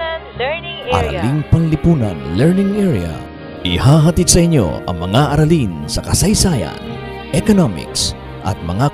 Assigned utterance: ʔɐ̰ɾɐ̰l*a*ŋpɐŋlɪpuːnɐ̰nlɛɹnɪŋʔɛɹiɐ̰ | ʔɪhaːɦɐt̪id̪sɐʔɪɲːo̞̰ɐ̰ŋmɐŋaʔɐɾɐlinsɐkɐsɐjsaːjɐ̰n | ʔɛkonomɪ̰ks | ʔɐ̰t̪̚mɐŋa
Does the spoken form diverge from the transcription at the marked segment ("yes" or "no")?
yes